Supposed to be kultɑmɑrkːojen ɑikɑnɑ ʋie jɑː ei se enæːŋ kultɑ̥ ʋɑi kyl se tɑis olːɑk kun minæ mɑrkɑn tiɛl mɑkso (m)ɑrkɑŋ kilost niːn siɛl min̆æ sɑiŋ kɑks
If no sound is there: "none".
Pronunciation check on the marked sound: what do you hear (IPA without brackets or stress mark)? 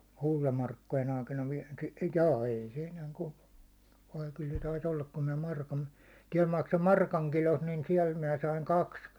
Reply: m